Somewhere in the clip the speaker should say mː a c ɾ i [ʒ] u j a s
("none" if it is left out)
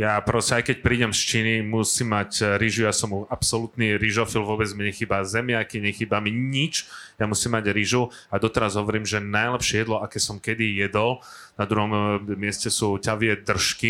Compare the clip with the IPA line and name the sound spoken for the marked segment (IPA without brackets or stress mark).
ʒ